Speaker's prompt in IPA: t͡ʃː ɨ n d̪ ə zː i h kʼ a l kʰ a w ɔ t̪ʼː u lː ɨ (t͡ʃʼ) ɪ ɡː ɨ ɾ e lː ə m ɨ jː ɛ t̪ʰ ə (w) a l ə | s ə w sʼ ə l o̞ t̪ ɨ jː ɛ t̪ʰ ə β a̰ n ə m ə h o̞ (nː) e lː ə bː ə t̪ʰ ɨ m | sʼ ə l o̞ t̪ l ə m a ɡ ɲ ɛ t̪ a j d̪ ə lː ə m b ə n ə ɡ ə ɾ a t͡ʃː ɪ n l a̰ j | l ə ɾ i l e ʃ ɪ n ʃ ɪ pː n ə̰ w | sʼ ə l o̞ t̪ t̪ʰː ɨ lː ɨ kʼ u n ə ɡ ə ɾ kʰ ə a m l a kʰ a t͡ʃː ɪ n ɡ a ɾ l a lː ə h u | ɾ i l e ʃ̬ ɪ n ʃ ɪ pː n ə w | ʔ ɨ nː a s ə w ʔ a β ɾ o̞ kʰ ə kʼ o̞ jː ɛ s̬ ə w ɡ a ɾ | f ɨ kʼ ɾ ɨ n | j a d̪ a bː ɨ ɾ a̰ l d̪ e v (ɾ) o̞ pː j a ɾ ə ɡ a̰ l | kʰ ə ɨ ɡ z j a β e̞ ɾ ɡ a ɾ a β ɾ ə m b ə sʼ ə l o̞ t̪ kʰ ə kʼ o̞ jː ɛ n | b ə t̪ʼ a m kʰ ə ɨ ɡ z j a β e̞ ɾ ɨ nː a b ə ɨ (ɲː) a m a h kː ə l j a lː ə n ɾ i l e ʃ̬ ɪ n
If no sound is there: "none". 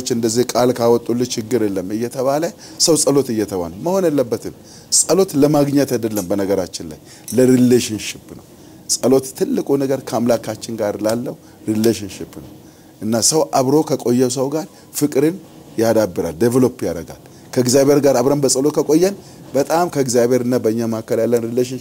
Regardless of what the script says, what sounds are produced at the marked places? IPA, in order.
t͡ʃ, β, n, l, ɲː

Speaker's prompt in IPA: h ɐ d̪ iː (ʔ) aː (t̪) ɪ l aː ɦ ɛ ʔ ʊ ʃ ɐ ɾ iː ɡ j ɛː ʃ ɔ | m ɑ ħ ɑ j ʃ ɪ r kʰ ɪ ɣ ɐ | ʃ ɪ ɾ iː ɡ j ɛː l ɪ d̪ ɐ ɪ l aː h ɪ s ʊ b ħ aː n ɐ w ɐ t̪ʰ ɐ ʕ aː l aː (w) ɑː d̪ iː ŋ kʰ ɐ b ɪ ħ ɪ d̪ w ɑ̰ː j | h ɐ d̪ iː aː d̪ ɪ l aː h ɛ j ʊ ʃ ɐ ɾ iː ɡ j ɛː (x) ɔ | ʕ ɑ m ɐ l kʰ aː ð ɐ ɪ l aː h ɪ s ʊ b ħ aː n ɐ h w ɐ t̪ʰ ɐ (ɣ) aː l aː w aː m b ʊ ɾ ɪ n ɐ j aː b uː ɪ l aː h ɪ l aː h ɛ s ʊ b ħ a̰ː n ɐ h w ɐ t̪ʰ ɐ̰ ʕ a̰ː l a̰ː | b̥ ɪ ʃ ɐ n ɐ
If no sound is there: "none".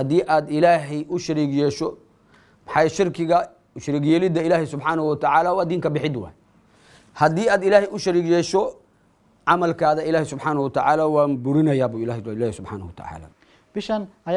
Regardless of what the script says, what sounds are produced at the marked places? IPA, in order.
ʔ, d̪, w, ʃ, ʕ

